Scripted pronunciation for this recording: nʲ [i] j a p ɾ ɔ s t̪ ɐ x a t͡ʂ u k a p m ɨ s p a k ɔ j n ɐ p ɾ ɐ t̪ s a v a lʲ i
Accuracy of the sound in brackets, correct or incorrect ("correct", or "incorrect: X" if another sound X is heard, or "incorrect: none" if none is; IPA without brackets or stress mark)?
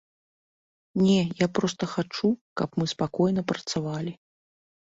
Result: incorrect: ɛ